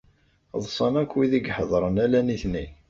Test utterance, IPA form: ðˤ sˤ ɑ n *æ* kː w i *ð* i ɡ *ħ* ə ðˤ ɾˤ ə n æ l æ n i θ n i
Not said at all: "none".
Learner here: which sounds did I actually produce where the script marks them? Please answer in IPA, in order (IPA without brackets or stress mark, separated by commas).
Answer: æ, ð, ħ